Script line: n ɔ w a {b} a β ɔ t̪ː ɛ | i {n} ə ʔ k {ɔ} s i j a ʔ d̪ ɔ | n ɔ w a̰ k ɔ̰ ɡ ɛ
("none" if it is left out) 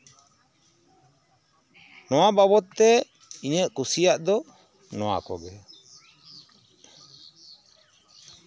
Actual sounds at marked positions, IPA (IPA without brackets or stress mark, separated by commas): b, ɲ, u